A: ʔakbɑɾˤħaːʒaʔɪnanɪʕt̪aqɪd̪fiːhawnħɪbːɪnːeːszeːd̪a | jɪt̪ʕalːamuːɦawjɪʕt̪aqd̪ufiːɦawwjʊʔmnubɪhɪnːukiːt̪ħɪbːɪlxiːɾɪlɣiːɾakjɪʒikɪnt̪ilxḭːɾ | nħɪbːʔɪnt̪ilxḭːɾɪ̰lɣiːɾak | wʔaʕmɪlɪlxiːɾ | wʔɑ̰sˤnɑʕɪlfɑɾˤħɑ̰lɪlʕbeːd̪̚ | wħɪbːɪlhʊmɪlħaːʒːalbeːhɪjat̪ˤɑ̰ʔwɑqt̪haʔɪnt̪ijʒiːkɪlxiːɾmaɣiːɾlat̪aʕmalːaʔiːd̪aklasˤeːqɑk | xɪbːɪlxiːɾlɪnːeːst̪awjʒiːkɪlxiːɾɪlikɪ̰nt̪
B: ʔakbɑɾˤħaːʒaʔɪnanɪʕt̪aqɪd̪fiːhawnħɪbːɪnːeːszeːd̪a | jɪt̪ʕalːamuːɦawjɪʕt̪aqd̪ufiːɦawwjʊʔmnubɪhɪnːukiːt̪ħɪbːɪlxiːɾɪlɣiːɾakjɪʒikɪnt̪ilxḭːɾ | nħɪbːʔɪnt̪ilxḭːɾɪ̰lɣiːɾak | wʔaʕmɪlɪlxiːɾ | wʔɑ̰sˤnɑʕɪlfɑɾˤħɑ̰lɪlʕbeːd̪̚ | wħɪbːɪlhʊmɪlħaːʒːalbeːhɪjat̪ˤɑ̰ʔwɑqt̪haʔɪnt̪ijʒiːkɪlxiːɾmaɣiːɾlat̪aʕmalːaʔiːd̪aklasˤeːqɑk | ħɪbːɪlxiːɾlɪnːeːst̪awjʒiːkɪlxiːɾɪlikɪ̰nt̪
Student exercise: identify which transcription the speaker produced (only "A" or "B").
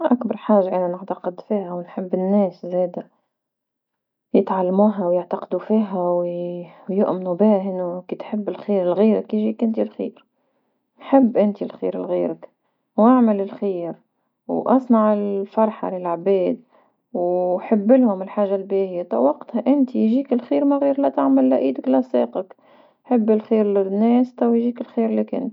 B